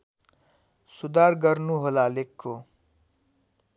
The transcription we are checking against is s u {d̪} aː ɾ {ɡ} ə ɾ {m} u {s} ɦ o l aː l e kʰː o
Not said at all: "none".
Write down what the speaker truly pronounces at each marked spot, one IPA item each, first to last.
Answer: d̪, ɡ, n, none

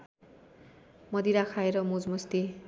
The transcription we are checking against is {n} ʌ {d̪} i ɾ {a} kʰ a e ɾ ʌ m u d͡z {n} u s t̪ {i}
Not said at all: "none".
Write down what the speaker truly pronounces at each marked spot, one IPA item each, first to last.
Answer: m, d̪, a, m, i

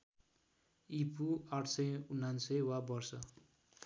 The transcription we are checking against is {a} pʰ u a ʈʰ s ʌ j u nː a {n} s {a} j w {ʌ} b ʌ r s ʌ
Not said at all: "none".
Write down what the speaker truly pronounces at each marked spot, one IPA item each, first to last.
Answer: i, n, ʌ, a

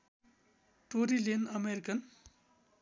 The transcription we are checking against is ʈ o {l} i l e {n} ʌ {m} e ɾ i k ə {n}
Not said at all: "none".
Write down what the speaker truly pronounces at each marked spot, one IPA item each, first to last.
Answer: ɾ, n, m, n

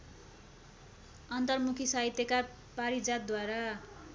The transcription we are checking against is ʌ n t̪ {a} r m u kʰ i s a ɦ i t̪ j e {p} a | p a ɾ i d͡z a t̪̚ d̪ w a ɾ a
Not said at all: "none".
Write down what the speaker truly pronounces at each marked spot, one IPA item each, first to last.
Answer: ʌ, k

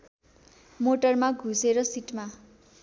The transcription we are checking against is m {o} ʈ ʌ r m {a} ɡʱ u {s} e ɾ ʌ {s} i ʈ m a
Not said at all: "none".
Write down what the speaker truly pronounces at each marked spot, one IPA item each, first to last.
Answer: o, a, s, s

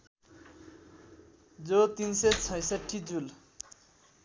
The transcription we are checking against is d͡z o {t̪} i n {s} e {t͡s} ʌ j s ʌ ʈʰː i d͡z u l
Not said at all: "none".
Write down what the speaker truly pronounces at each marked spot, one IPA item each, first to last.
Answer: t̪, s, t͡sʰ

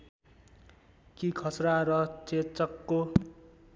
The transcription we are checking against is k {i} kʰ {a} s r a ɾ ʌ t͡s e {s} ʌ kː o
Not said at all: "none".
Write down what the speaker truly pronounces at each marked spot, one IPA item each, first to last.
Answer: i, ʌ, t͡s

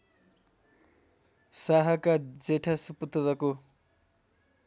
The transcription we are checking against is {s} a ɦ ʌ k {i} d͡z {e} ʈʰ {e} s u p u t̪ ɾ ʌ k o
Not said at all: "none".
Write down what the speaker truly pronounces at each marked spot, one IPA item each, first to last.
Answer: s, a, e, a

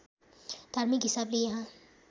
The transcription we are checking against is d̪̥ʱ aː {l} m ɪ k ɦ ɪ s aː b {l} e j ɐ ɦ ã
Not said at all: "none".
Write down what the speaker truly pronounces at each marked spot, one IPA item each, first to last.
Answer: ɾ, l

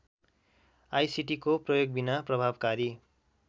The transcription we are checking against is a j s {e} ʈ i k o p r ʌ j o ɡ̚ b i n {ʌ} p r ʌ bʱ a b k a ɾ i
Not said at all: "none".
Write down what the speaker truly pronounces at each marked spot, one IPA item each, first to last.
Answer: i, a

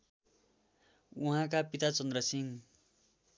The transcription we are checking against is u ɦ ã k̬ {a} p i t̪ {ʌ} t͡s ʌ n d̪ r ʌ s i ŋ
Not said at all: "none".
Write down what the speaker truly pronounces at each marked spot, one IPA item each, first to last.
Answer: a, a

